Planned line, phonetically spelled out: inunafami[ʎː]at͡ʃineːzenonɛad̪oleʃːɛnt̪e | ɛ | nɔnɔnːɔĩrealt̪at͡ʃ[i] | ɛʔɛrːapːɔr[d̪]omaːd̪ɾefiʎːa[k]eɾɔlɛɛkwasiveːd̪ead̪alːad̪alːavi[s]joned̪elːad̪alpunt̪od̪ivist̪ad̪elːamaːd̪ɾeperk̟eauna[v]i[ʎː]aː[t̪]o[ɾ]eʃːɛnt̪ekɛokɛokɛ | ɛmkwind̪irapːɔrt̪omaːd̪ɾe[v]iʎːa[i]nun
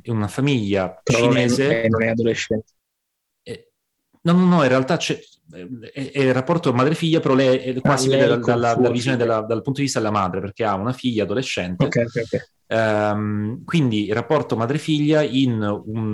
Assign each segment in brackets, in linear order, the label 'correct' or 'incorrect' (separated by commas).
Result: correct, incorrect, incorrect, incorrect, incorrect, incorrect, correct, incorrect, incorrect, incorrect, correct